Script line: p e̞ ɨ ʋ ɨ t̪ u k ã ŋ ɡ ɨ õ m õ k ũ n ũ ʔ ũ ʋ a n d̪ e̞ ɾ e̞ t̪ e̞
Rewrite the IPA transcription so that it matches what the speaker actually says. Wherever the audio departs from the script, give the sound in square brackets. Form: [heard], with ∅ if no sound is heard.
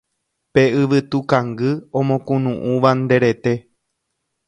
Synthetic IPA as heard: p e̞ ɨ ʋ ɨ t̪ u k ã ŋ ɡ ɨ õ m õ k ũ n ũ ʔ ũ ʋ a n d̪ e̞ ɾ e̞ t̪ e̞